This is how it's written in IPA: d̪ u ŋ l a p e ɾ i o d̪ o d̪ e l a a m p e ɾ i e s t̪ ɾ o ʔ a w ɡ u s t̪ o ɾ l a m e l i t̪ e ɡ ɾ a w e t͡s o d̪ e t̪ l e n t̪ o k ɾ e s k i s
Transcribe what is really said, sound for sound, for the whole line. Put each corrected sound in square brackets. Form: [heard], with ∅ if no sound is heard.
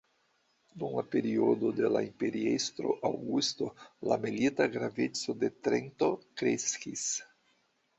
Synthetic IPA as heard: d̪ u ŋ l a p e ɾ i o d̪ o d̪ e l a [i] m p e ɾ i e s t̪ ɾ o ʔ a w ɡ u s t̪ o [∅] l a m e l i t̪ [a] ɡ ɾ a [v] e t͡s o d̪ e t̪ [ɾ] e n t̪ o k ɾ e s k i s